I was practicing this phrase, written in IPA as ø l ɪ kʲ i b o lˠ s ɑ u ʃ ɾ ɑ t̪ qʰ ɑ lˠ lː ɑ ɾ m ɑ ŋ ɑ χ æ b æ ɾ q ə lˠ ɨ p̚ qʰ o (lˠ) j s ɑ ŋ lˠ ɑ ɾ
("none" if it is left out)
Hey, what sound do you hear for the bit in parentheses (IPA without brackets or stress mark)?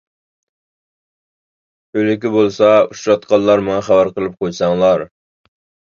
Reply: none